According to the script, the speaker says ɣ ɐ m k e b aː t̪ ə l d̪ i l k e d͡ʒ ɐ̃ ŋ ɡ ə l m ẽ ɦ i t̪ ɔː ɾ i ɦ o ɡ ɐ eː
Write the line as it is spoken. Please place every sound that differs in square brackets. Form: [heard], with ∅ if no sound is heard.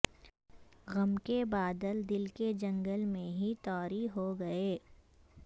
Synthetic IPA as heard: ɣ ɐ m k e b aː [d̪] ə l d̪ [ɪ] l k e d͡ʒ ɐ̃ ŋ ɡ ə l m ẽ ɦ i t̪ ɔː ɾ i ɦ o ɡ ɐ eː